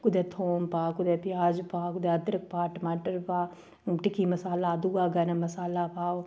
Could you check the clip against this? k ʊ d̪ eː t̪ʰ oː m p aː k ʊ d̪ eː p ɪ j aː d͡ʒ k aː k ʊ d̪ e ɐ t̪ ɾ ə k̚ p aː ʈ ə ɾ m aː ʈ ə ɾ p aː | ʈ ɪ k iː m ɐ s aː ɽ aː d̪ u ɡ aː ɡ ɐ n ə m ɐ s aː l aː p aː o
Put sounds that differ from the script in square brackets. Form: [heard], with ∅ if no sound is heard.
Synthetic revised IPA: k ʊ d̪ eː t̪ʰ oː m p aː k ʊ d̪ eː p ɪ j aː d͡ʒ [p] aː k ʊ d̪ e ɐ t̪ ɾ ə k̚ p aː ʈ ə [∅] m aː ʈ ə ɾ p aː | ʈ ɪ k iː m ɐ s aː [l] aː d̪ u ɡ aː ɡ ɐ n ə m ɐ s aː l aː p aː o